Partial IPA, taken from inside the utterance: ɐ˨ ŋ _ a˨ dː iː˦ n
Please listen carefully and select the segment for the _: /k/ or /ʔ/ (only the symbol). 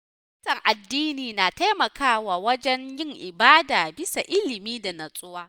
ʔ